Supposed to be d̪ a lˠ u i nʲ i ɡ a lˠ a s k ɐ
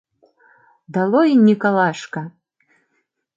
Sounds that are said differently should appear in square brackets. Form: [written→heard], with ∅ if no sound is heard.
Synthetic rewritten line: d̪ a lˠ [u→ɔ] i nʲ i [ɡ→k] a lˠ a [s→ʂ] k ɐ